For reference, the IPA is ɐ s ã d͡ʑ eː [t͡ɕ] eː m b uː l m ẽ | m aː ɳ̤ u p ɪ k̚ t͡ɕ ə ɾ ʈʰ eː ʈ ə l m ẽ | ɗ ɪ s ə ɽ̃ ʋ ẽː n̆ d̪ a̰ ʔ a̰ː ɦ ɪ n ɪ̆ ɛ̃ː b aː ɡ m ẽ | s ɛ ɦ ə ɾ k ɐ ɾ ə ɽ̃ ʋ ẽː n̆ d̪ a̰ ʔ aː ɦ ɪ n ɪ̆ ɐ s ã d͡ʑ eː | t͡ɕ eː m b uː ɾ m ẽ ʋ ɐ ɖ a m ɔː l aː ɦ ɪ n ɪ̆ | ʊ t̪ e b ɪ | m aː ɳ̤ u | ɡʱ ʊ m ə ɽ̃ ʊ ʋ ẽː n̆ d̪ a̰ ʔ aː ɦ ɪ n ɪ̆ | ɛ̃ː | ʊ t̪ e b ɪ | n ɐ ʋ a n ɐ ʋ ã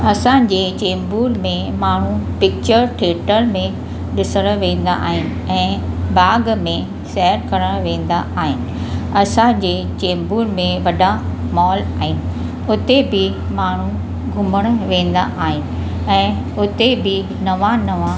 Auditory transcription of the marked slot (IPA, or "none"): t͡ɕ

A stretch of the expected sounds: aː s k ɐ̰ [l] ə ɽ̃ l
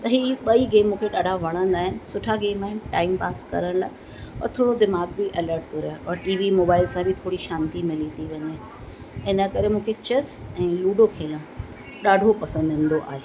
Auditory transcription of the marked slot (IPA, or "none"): ɾ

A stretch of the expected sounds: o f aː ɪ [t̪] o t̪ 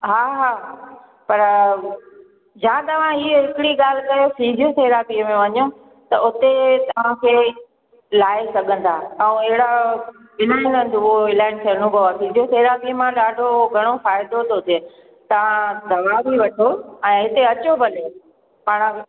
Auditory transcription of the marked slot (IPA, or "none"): d̪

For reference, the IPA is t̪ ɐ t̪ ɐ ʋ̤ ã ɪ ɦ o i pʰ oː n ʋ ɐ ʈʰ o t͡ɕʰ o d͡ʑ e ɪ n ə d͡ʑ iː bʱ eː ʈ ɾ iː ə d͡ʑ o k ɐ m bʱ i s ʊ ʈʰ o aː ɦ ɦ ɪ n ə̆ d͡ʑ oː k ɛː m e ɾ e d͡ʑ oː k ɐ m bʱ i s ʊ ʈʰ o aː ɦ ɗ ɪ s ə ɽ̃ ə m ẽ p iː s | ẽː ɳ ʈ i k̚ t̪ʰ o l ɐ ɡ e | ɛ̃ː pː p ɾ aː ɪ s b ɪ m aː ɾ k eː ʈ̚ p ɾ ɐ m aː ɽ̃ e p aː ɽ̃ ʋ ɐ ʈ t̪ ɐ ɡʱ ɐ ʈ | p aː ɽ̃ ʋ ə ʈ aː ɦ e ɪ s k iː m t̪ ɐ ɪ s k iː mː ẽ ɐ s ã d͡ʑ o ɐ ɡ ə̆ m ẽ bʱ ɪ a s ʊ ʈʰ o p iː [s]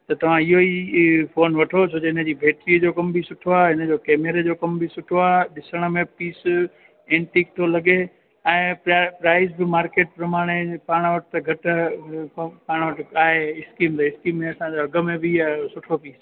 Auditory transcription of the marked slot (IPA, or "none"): s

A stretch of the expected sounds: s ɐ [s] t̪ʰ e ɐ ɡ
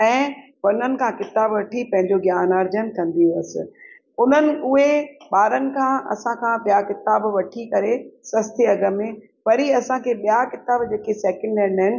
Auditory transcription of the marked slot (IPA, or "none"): s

